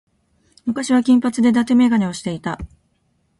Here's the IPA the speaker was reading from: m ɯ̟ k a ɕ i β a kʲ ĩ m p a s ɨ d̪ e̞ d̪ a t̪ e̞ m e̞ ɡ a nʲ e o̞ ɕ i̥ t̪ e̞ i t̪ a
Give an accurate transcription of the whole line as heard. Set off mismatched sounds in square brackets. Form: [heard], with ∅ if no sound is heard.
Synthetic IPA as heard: m ɯ̟ k a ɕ i β a kʲ ĩ m p a [t͡s] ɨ d̪ e̞ d̪ a t̪ e̞ m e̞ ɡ a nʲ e o̞ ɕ i̥ t̪ e̞ i t̪ a